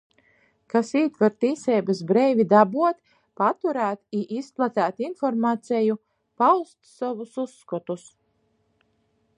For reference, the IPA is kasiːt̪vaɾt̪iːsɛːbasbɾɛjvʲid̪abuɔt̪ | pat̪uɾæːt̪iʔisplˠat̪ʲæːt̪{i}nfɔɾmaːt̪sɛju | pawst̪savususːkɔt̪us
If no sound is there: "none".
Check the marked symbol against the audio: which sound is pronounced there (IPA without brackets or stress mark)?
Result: i